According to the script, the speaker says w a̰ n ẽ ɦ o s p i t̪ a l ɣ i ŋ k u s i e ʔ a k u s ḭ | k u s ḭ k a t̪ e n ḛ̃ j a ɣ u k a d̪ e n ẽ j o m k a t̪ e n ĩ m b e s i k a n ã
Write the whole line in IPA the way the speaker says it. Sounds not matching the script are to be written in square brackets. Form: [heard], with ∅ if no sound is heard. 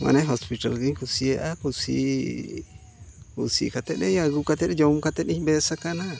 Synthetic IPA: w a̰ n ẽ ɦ o s p i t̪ a l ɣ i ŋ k u s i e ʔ a k u s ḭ | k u s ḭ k a t̪ e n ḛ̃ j a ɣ u k a [t̪] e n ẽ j o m k a t̪ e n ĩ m b e s [a] k a n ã